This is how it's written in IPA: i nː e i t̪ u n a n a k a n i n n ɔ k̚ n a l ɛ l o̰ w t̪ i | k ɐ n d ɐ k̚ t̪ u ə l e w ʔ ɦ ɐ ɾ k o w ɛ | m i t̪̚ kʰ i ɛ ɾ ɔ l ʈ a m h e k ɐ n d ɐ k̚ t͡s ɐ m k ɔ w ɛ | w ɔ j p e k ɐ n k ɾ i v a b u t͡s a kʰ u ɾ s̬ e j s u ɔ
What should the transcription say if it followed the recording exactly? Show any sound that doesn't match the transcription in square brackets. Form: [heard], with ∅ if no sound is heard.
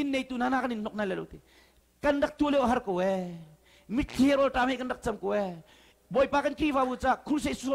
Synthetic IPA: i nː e [j] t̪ u n a n a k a n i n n ɔ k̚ n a l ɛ l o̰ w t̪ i | k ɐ n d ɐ k̚ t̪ u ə l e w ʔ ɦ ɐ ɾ k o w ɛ | m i t̪̚ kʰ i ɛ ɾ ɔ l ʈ a m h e k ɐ n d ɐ k̚ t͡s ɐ m k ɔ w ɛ | [b] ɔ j p [a] k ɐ n k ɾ i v a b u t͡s a kʰ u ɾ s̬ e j s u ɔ